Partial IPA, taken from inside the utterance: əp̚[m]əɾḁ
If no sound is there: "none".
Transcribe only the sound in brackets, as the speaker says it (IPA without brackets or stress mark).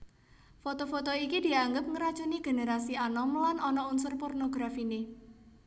ŋ